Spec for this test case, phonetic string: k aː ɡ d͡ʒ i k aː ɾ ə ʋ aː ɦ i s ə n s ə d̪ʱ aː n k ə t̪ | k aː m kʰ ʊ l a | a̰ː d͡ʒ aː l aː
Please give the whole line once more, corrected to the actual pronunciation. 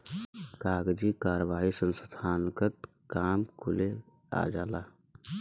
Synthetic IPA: k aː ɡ d͡ʒ i k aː ɾ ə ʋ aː ɦ i s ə n s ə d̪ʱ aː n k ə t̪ | k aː m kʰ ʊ l e | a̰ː d͡ʒ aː l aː

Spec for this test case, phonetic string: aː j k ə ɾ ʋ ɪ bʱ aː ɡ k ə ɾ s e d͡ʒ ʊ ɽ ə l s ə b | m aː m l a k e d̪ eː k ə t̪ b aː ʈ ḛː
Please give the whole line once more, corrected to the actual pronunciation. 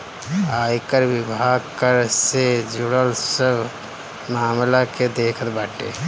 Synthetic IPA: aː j k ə ɾ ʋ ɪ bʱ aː ɡ k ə ɾ s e d͡ʒ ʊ ɽ ə l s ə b | m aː m l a k e d̪ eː kʰ ə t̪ b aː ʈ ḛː

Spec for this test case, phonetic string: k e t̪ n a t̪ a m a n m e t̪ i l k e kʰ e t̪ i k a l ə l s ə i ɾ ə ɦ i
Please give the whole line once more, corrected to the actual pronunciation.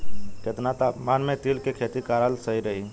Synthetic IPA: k e t̪ n a t̪ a m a n m e t̪ i l k e kʰ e t̪ i k a ɾ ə l s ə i ɾ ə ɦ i

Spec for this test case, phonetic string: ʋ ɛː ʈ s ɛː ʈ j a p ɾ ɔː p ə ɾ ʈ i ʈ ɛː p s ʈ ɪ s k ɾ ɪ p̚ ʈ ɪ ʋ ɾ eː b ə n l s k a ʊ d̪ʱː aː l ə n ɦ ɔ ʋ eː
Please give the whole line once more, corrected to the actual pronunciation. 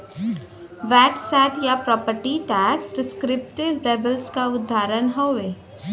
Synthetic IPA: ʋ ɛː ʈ s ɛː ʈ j a p ɾ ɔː p ə ɾ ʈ i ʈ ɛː k s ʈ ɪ s k ɾ ɪ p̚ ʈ ɪ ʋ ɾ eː b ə l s k a ʊ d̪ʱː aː ɾ ə n ɦ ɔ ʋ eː

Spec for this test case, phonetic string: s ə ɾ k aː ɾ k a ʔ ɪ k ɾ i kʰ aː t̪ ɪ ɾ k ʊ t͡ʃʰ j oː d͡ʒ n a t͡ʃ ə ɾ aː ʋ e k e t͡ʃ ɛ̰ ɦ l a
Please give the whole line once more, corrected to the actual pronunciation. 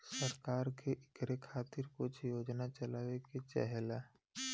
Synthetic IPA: s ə ɾ k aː ɾ k e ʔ ɪ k ɾ e kʰ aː t̪ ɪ ɾ k ʊ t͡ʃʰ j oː d͡ʒ n a t͡ʃ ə l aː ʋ e k e t͡ʃ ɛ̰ ɦ l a

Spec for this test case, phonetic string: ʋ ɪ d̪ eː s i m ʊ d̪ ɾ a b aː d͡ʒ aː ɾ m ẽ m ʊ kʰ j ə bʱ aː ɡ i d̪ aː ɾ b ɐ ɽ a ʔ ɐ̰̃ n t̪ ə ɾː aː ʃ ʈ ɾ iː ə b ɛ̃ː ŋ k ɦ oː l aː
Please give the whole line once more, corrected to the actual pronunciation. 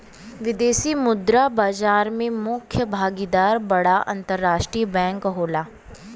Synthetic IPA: ʋ ɪ d̪ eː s i m ʊ d̪ ɾ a b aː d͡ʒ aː ɾ m ẽ m ʊ kʰ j ə bʱ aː ɡ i d̪ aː ɾ b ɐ ɽ a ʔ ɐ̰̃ n t̪ ə ɾː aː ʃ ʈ ɾ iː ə b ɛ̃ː ŋ k ɦ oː l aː

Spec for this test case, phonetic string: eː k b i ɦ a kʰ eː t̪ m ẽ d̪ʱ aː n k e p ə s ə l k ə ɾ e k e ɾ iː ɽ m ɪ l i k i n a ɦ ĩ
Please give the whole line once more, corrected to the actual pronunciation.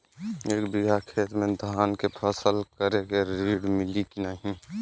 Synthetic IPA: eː k b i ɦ a kʰ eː t̪ m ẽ d̪ʱ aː n k e pʰ ə s ə l k ə ɾ e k e ɾ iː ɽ m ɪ l i k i n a ɦ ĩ

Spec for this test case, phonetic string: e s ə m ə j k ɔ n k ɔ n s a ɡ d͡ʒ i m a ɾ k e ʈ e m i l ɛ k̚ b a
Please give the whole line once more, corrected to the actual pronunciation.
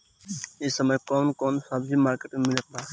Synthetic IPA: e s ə m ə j k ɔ n k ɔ n s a b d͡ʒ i m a ɾ k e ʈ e m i l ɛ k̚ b a

